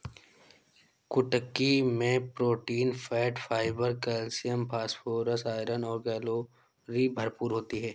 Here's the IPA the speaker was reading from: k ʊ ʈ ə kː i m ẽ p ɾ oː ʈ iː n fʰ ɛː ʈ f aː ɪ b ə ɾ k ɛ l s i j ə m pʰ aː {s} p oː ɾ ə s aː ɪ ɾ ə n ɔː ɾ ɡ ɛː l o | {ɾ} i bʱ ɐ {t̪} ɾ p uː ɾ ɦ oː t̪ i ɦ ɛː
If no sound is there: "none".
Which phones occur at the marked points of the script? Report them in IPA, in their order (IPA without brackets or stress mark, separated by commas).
s, ɾ, none